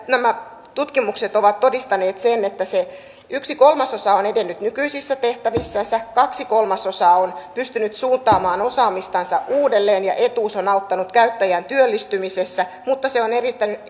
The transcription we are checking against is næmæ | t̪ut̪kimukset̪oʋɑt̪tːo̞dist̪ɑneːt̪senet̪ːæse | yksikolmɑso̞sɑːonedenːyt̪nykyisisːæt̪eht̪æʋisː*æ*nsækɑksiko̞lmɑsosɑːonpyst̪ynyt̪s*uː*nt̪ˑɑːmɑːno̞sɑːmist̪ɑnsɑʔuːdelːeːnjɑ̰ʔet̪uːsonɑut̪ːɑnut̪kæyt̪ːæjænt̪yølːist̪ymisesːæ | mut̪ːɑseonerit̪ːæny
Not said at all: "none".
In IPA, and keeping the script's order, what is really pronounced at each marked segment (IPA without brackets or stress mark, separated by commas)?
æ, uː